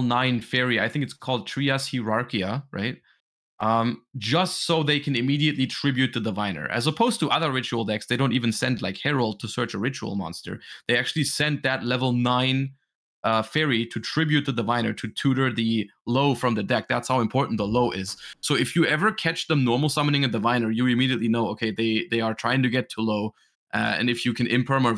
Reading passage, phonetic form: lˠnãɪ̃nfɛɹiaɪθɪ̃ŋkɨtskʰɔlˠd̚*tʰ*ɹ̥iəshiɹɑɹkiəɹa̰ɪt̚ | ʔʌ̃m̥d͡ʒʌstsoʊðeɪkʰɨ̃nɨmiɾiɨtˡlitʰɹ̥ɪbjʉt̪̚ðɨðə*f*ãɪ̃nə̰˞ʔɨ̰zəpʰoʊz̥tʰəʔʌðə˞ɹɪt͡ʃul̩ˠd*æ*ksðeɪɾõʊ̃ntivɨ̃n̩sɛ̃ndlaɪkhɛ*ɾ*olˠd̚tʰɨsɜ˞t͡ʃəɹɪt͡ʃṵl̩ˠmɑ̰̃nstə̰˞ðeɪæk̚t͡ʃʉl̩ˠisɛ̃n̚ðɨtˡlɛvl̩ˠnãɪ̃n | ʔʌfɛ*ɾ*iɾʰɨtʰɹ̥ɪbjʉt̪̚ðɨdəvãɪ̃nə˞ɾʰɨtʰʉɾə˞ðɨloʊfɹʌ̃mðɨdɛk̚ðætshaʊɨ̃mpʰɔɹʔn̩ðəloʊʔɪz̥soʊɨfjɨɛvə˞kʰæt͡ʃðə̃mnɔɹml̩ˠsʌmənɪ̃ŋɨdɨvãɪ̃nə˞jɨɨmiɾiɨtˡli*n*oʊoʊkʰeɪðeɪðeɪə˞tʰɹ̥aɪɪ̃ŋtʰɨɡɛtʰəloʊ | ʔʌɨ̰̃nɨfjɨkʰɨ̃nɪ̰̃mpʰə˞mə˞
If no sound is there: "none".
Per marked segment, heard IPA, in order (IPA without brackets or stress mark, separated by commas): tʰ, v, ɛ, ɹ, ɹ, n